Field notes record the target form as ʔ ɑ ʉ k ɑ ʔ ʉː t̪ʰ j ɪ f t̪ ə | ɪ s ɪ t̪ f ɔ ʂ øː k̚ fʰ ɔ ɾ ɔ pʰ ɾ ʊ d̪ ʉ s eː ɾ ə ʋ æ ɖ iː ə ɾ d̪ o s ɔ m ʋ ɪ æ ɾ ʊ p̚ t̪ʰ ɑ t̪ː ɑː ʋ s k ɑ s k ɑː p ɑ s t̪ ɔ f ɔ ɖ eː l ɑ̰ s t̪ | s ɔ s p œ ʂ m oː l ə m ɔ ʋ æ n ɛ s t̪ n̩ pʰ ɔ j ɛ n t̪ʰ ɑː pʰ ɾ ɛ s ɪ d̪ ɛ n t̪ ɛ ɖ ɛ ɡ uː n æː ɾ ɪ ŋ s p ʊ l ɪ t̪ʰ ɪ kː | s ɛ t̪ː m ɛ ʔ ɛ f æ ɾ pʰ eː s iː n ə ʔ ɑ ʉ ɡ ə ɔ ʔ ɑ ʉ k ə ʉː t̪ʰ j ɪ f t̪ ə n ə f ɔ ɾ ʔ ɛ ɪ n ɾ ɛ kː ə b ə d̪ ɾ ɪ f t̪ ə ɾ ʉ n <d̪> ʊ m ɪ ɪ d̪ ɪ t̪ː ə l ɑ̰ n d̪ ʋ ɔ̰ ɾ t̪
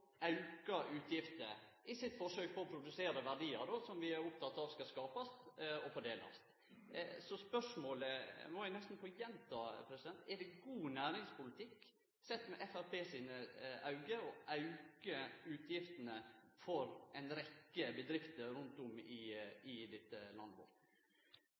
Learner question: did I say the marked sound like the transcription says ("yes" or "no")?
no